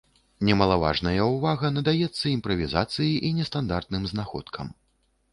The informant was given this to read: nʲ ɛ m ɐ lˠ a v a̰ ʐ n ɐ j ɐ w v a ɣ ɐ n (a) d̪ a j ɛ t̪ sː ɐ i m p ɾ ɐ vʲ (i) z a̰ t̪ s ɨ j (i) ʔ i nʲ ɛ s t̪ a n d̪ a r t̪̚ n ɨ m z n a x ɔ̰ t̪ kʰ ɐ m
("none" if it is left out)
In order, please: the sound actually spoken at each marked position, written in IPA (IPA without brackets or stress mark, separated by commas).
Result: ɐ, i, i